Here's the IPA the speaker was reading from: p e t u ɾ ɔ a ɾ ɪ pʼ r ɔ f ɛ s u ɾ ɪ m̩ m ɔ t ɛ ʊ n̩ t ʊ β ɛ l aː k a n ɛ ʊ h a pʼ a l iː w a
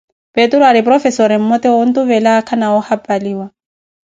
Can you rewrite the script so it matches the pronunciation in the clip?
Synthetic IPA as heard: p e t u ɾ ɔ a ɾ ɪ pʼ r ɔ f ɛ s ɔ ɾ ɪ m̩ m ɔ t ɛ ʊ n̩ t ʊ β ɛ l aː kʰ a n a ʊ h a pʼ a l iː w a